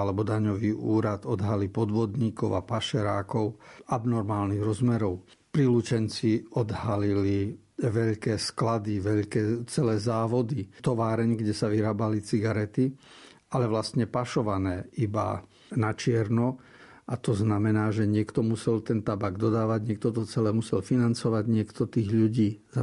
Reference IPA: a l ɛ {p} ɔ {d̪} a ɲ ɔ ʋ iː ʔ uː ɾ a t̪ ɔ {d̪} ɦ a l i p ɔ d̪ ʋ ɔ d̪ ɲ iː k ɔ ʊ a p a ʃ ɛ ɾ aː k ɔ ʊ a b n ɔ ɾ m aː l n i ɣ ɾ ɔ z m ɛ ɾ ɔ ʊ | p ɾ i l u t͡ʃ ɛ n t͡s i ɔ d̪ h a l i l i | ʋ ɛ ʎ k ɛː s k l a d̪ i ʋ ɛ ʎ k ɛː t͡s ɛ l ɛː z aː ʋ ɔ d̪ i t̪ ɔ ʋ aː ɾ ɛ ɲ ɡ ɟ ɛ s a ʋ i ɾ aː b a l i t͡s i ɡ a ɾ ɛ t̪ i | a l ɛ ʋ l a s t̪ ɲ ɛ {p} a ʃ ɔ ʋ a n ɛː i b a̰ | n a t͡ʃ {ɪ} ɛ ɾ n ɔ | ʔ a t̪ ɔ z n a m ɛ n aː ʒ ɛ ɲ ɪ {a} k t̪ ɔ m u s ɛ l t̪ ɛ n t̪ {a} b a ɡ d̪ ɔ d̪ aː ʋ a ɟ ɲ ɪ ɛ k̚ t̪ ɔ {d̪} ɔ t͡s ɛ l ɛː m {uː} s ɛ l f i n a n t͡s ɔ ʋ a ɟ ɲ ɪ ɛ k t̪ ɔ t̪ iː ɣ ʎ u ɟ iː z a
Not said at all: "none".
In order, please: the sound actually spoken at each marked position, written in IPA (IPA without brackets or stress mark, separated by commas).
b, d̪, d̪, p, ɪ, ɛ, a, t̪, u